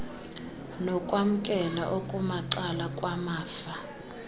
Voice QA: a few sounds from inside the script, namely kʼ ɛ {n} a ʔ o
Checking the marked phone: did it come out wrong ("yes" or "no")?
no